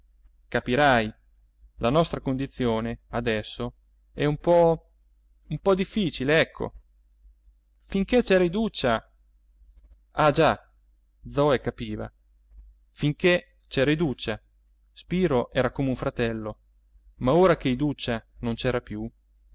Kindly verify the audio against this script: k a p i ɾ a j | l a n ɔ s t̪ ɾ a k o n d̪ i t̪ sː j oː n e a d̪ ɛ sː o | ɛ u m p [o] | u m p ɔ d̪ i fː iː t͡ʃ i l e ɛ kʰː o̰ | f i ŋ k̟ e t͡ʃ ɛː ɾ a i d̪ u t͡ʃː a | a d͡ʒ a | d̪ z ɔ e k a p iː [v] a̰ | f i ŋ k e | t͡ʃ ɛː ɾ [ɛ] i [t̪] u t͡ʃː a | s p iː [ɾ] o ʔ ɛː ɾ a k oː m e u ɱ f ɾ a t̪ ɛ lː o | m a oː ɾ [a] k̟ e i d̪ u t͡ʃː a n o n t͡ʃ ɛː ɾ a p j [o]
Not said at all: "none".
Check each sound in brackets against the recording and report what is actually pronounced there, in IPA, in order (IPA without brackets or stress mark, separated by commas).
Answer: ɔ, v, a, d̪, ɾ, a, u